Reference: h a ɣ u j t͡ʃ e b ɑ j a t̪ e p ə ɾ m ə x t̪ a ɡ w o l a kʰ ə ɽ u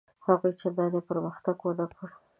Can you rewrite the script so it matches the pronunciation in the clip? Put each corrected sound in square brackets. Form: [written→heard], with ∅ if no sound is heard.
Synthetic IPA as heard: h a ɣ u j t͡ʃ e b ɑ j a [t̪→d̪] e p ə ɾ m ə x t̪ a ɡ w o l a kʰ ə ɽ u